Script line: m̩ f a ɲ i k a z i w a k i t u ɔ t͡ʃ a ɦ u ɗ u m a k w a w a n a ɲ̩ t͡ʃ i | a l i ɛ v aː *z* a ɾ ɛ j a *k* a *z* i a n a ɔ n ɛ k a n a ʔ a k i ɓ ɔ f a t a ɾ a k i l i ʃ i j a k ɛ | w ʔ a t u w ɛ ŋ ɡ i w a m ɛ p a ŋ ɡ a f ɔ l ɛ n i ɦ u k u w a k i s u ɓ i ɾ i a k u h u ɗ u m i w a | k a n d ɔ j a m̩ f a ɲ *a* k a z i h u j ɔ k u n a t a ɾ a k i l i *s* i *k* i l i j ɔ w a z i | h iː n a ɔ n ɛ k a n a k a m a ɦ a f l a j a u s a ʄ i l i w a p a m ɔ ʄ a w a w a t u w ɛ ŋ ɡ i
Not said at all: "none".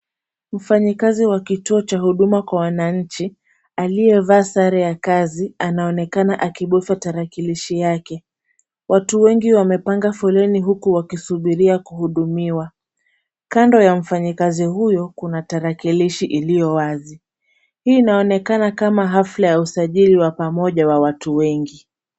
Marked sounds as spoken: s, k, z, i, ʃ, ʔ

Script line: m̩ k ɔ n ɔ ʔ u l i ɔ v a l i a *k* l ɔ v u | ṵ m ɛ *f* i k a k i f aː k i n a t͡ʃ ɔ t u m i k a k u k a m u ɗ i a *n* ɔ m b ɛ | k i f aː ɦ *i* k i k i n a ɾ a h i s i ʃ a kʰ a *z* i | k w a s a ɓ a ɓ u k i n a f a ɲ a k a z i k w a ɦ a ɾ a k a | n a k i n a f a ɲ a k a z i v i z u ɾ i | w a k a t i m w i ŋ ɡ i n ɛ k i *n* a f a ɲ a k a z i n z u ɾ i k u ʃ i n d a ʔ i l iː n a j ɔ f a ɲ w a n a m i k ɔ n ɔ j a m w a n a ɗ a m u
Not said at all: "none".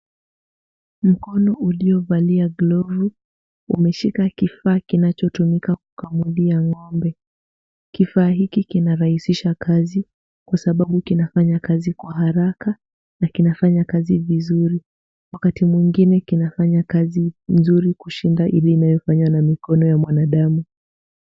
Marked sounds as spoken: ɡ, ʃ, ŋ, i, z, n

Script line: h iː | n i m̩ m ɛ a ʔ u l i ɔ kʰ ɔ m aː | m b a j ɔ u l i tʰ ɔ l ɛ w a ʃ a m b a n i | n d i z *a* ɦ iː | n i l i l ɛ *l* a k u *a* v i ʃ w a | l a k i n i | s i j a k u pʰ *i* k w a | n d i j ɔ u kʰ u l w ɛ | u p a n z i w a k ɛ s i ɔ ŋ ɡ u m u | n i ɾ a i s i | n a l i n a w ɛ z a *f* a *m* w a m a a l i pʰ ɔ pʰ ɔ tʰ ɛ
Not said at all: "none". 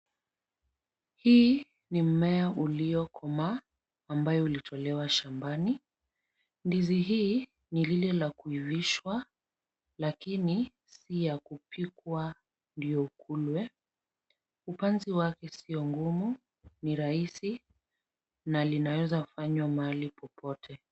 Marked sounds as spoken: i, l, i, i, f, ɲ

